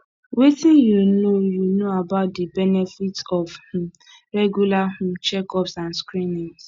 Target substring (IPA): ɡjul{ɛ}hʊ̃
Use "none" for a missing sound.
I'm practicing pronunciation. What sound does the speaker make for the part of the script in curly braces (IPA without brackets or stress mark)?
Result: a